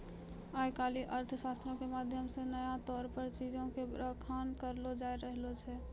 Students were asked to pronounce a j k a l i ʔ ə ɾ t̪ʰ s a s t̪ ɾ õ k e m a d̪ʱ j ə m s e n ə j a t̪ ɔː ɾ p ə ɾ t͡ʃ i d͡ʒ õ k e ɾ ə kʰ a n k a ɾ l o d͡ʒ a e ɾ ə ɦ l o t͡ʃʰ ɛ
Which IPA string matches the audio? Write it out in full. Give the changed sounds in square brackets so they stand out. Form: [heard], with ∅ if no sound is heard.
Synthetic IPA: a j k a l i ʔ ə ɾ t̪ʰ s a s t̪ ɾ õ k e m a d̪ʱ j ə m s e n ə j a t̪ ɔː ɾ p ə ɾ t͡ʃ i d͡ʒ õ k e ɾ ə kʰ a n k [ə] ɾ l o d͡ʒ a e ɾ ə ɦ l o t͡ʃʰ ɛ